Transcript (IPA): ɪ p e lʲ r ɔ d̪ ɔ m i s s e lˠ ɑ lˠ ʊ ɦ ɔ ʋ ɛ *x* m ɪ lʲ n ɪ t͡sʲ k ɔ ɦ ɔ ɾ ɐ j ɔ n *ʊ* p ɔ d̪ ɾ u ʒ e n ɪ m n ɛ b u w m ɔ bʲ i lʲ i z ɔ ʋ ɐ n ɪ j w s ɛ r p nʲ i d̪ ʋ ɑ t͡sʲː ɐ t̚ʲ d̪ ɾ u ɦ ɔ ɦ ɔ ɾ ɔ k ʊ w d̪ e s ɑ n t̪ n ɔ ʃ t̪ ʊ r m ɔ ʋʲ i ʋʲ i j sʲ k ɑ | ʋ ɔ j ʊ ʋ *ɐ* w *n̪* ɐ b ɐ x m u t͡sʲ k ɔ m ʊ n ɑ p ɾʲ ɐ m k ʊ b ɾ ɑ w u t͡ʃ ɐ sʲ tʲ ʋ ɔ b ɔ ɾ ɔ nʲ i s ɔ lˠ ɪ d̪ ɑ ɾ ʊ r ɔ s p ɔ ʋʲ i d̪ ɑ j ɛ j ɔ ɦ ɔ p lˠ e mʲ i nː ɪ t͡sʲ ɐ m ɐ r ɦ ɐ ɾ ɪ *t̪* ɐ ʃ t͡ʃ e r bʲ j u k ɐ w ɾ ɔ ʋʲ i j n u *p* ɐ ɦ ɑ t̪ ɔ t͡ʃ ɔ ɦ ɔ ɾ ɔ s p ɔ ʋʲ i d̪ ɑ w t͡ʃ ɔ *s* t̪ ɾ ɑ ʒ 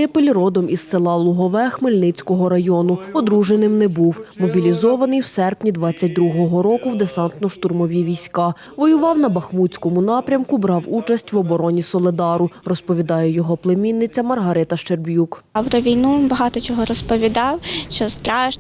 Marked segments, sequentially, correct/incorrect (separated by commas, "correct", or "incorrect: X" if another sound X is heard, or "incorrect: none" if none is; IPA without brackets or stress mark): correct, correct, incorrect: ɑ, correct, correct, incorrect: b, correct